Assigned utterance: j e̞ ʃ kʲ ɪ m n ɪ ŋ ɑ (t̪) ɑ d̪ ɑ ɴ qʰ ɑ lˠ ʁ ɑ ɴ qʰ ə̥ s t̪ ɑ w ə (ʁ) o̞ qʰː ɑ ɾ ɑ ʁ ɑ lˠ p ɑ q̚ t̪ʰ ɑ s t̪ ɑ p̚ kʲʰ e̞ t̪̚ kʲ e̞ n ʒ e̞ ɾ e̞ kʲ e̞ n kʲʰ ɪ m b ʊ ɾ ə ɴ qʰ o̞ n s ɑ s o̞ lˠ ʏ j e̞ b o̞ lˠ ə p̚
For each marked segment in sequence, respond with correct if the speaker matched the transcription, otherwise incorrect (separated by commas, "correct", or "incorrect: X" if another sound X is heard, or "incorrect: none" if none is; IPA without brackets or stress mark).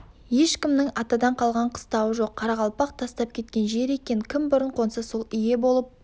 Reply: correct, incorrect: ʒ